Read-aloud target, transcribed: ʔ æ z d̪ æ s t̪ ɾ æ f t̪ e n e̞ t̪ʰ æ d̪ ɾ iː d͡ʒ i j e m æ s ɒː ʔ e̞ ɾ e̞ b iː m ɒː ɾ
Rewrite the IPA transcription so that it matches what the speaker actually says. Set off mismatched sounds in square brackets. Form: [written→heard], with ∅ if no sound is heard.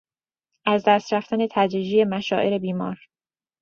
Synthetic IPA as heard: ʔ æ z d̪ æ s t̪ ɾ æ f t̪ [e→æ] n e̞ t̪ʰ æ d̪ ɾ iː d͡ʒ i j e m æ [s→ʃ] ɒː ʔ e̞ ɾ e̞ b iː m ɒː ɾ